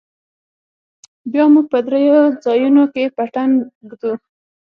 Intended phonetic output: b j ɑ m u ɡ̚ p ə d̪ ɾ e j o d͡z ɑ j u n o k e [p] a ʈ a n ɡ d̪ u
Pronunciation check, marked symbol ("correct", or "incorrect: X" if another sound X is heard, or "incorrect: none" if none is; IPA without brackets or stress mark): correct